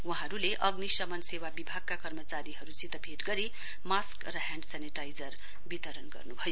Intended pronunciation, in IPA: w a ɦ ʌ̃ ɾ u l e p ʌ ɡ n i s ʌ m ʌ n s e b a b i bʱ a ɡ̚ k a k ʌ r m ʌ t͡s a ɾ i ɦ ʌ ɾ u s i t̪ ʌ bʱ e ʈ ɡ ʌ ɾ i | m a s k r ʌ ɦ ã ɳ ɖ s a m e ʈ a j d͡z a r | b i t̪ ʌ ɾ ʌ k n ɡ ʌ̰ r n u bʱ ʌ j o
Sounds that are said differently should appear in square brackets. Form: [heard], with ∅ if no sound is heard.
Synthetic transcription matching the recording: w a ɦ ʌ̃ ɾ u l e [ʔ] ʌ ɡ n i s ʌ m ʌ n s e [w] a b i bʱ a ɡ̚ k a k ʌ r m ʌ t͡s a ɾ i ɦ ʌ ɾ u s i t̪ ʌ bʱ e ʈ ɡ ʌ ɾ i | m a s k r ʌ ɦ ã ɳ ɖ s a [n] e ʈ a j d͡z [ʌ] r | b i t̪ ʌ ɾ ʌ [∅] n ɡ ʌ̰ r n u bʱ ʌ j o